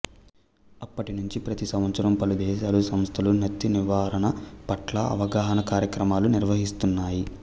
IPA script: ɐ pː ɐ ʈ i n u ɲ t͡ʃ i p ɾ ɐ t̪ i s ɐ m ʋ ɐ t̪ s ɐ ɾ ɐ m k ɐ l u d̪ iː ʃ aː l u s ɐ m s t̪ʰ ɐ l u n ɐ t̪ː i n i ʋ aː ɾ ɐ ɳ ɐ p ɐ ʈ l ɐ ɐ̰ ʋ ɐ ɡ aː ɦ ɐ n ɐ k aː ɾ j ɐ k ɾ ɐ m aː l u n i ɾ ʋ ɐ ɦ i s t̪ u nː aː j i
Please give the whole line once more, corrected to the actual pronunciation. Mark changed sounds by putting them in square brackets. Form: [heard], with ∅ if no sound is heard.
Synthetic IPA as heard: ɐ pː ɐ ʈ i n u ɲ t͡ʃ i p ɾ ɐ t̪ i s ɐ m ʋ ɐ t̪ s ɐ ɾ ɐ m [p] ɐ l u d̪ [ɛː] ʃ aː l u s ɐ m s t̪ʰ ɐ l u n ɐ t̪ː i n i ʋ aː ɾ ɐ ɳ ɐ p ɐ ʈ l ɐ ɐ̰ ʋ ɐ ɡ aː ɦ ɐ n ɐ k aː ɾ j ɐ k ɾ ɐ m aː l u n i ɾ ʋ ɐ ɦ i s t̪ u nː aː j i